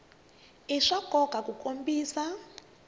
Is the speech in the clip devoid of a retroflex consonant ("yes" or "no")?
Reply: no